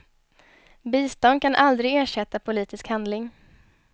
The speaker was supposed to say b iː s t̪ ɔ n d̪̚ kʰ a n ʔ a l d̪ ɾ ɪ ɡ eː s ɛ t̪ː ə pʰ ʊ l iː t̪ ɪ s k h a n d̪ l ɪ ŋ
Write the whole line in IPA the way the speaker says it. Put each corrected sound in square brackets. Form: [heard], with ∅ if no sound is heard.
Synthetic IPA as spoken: b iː s t̪ ɔ n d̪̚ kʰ a n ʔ a l d̪ ɾ ɪ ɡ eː [ʂ] ɛ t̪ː [a] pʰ ʊ l iː t̪ ɪ s k h a n d̪ l ɪ ŋ